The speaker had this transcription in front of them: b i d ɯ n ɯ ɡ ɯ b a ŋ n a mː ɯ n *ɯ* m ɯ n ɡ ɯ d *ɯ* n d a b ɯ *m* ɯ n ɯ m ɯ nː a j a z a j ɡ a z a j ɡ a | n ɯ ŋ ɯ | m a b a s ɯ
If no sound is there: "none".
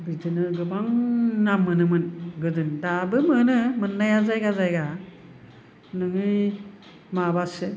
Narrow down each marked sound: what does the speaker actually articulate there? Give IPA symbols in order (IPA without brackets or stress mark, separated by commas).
ɯ, ɯ, m